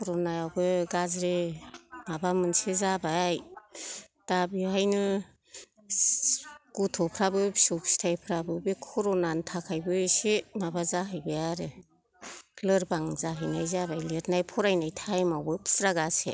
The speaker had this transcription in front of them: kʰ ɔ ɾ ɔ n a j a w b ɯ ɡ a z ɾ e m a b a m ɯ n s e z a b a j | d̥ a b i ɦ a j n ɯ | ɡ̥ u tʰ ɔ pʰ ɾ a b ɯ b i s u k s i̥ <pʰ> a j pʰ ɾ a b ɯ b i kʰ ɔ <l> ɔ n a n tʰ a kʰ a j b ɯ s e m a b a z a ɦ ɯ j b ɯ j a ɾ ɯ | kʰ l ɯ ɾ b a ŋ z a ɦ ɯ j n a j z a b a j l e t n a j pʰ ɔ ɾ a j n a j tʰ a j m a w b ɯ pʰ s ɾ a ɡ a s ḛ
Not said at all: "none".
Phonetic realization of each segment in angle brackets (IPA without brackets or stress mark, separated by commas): tʰ, ɾ